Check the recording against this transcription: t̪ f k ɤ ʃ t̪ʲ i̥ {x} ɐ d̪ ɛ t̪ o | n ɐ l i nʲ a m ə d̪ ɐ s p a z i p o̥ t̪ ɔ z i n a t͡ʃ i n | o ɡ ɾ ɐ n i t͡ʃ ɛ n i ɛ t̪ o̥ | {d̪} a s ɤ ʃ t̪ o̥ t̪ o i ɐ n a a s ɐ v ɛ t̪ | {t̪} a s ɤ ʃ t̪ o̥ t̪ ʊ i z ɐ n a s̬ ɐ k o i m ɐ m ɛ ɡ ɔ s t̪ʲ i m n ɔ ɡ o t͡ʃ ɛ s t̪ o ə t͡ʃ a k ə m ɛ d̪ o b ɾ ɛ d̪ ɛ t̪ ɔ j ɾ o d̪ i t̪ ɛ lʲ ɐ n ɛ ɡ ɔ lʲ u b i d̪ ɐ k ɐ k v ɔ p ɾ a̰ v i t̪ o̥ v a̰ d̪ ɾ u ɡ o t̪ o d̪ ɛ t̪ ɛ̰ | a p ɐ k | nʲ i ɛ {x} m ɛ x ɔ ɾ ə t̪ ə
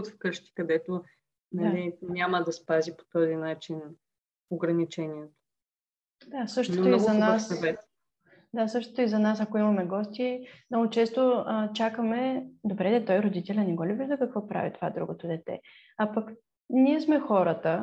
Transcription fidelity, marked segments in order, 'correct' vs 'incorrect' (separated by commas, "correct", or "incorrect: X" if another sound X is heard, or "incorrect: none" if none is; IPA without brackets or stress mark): incorrect: k, correct, incorrect: d̪, incorrect: s